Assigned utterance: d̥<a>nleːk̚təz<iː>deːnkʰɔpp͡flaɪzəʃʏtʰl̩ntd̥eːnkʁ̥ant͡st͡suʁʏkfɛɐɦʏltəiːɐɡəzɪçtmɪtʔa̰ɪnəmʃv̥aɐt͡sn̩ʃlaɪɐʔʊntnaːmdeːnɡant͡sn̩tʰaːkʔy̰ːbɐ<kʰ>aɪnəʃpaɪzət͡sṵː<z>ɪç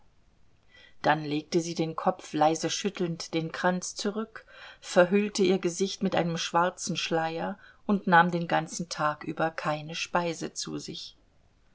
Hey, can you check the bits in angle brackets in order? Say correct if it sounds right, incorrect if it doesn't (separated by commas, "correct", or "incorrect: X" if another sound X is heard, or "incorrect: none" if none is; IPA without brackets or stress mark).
correct, correct, correct, correct